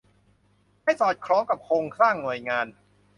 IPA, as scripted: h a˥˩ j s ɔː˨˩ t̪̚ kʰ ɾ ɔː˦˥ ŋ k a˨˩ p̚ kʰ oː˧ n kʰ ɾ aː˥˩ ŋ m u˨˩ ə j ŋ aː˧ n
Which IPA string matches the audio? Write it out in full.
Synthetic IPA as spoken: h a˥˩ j s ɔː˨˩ t̪̚ kʰ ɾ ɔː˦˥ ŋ k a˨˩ p̚ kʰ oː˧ ŋ kʰ ɾ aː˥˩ ŋ n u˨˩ ə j ŋ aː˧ n